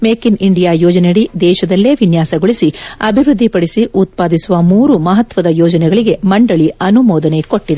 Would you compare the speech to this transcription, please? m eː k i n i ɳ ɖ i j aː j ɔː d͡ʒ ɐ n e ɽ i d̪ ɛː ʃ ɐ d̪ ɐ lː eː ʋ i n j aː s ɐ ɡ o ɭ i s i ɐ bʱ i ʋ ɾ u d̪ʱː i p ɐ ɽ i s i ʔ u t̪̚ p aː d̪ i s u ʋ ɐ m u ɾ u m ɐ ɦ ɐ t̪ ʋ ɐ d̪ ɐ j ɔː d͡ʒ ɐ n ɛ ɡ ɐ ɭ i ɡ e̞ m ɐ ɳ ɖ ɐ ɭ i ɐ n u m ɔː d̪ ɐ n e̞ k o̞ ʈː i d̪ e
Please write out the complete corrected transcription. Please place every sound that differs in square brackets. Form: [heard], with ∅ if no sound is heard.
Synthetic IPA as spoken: m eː k i n i ɳ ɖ i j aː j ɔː d͡ʒ ɐ n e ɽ i d̪ ɛː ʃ ɐ d̪ ɐ lː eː ʋ i n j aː s ɐ ɡ o ɭ i s i ɐ bʱ i ʋ ɾ u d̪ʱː i p ɐ ɽ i s i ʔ u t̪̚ p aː d̪ i s u ʋ ɐ m [uː] ɾ u m ɐ ɦ ɐ t̪ ʋ ɐ d̪ ɐ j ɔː d͡ʒ ɐ n ɛ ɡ ɐ ɭ i ɡ e̞ m ɐ ɳ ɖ ɐ ɭ i ɐ n u m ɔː d̪ ɐ n e̞ k o̞ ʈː i d̪ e